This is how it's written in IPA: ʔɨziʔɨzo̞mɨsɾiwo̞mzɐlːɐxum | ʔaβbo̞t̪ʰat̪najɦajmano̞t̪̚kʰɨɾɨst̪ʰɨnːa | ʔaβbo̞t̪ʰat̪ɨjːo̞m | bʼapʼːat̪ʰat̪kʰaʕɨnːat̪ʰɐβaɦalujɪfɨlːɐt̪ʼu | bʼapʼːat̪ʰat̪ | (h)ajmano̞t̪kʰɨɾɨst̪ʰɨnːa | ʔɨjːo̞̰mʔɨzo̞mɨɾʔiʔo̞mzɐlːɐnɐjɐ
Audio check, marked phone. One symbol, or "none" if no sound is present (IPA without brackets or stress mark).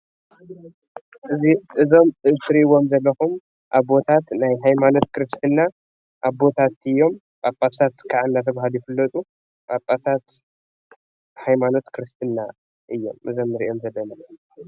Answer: h